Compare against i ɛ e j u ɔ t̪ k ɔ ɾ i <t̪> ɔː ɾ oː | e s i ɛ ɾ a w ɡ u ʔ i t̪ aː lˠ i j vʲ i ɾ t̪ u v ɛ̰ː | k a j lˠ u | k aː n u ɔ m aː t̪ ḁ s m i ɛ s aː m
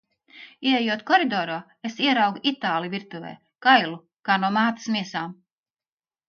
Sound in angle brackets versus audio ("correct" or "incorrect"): incorrect